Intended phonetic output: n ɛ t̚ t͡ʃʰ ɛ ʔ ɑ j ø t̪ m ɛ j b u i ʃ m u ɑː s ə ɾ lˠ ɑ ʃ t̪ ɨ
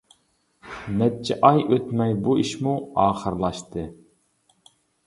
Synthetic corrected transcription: n ɛ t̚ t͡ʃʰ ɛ ʔ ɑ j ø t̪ m ɛ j b u i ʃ m u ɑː χ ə ɾ lˠ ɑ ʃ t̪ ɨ